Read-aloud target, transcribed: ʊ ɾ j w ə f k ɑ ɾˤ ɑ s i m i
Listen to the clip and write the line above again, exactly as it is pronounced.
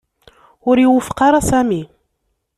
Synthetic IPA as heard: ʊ ɾ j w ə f q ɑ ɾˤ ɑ s æ m i